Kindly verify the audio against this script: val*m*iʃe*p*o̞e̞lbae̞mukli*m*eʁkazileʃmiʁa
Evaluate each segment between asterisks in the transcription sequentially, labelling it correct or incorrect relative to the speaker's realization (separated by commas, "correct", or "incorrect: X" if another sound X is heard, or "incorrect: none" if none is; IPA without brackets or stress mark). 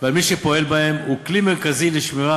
correct, correct, correct